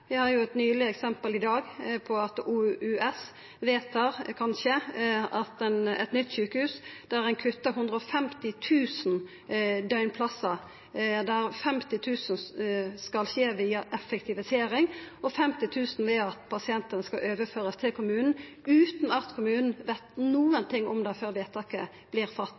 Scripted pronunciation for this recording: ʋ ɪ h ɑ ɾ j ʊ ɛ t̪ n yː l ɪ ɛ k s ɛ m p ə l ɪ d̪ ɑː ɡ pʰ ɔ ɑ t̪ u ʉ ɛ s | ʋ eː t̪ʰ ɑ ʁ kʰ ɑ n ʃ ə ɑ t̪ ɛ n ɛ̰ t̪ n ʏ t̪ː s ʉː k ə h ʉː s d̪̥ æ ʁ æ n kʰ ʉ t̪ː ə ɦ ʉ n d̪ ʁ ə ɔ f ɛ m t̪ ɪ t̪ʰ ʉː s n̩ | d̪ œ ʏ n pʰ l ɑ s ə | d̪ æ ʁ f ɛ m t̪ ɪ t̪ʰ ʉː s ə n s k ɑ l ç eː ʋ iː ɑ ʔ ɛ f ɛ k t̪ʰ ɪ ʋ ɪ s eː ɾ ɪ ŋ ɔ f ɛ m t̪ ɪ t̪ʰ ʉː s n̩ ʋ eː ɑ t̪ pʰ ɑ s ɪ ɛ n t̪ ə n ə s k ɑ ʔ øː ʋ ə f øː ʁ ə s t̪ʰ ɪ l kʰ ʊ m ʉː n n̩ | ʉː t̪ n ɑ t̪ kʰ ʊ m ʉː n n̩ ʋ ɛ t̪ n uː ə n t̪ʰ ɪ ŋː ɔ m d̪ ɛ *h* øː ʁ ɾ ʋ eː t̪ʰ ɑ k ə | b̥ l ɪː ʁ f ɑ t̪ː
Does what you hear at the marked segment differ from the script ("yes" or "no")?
yes